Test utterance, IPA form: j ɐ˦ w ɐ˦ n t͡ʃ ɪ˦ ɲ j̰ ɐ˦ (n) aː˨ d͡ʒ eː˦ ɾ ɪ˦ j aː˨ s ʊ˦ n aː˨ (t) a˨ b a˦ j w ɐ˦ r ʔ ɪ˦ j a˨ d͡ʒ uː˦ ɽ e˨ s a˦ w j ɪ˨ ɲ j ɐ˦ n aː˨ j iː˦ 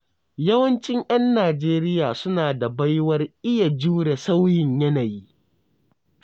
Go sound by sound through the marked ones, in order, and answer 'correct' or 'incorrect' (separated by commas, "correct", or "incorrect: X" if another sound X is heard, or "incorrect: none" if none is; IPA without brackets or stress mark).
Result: incorrect: nː, incorrect: d